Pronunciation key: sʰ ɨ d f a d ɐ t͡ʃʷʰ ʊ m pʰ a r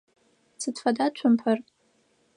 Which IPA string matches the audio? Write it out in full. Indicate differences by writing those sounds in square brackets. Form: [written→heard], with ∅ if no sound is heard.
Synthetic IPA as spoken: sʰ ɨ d f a d [ɐ→a] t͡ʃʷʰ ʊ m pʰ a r